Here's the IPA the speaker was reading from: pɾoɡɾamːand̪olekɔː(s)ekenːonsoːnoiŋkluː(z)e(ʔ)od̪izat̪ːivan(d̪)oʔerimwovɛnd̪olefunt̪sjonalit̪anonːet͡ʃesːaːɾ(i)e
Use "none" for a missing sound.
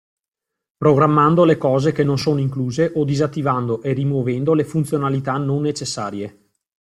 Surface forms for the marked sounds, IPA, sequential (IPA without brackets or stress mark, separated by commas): z, z, ʔ, d̪, j